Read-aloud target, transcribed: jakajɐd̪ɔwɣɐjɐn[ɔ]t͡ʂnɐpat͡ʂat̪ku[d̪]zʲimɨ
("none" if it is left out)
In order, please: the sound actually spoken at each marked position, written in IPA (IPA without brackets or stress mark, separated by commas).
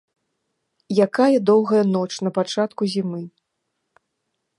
ɔ, none